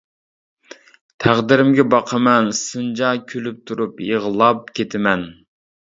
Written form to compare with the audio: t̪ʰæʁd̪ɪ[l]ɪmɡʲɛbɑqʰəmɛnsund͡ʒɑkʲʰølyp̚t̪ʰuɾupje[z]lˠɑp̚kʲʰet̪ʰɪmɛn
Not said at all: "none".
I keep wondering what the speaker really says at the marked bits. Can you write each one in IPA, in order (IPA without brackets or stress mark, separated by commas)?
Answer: ɾ, ʁ